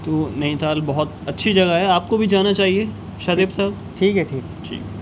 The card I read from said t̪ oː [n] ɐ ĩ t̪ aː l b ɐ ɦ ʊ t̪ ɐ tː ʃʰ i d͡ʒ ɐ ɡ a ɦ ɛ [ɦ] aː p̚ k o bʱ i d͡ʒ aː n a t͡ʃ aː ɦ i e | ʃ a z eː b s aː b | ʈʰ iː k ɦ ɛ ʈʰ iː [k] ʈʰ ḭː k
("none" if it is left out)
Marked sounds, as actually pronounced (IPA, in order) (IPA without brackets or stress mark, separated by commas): n, none, k